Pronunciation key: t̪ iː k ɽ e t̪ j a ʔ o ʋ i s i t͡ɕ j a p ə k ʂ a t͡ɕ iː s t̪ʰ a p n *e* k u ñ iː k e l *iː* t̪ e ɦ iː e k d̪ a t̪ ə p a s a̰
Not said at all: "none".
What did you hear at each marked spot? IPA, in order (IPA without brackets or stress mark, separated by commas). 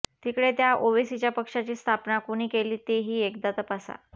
a, iː